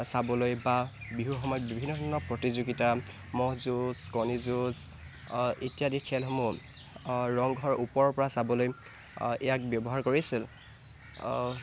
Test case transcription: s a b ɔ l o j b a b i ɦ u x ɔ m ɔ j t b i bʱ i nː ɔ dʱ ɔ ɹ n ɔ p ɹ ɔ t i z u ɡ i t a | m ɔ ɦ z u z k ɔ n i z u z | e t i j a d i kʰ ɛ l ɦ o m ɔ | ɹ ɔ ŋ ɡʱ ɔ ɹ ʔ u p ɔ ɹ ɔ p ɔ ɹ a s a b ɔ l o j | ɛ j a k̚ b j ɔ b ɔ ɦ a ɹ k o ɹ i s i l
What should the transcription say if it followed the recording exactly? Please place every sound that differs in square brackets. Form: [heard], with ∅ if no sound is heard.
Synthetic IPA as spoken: s a b ɔ l o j b a b i ɦ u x ɔ m ɔ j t b i bʱ i nː ɔ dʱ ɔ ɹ n ɔ p ɹ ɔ t i z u ɡ i t a | m ɔ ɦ z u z k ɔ n i z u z | e t i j a d i kʰ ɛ l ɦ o m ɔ | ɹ ɔ ŋ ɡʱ ɔ ɹ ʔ u p ɔ ɹ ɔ p ɔ ɹ a s a b ɔ l o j | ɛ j a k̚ b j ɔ b ɔ ɦ a ɹ k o ɹ i s i l